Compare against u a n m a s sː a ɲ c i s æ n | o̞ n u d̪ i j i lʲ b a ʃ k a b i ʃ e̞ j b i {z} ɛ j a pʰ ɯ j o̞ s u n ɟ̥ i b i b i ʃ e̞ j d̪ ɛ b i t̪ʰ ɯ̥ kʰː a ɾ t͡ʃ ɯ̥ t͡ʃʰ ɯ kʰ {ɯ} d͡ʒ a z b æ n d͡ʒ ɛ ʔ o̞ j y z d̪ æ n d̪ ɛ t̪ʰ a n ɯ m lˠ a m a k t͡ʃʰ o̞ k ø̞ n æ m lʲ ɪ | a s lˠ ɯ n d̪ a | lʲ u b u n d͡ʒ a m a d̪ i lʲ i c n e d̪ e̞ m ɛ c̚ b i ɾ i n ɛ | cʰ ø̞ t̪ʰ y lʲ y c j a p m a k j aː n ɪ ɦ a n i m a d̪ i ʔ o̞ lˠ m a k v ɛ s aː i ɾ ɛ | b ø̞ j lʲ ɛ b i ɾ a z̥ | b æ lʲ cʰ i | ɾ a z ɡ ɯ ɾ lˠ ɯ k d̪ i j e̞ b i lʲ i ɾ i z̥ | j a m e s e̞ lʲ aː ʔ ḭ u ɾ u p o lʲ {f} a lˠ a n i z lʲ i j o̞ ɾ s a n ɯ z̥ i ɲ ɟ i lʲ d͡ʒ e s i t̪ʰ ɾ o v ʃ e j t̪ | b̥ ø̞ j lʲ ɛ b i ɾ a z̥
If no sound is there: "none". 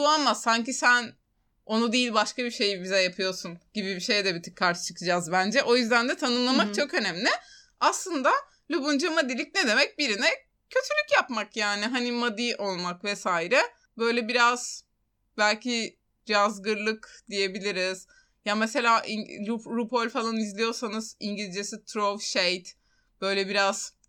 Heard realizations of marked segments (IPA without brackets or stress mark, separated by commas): z, ɯ, f